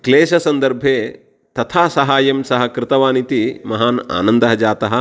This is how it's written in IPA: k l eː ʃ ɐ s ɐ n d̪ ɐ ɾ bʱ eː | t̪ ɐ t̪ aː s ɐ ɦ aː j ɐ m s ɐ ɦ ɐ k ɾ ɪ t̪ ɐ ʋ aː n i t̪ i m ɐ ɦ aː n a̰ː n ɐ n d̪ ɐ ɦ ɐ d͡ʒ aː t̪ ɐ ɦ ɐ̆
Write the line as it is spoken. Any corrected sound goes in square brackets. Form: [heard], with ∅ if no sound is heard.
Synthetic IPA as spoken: k l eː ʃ ɐ s ɐ n d̪ ɐ ɾ bʱ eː | t̪ ɐ [t̪ʰ] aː s ɐ ɦ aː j ɐ m s ɐ ɦ ɐ k ɾ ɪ t̪ ɐ ʋ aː n i t̪ i m ɐ ɦ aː n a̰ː n ɐ n d̪ ɐ ɦ ɐ d͡ʒ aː t̪ ɐ ɦ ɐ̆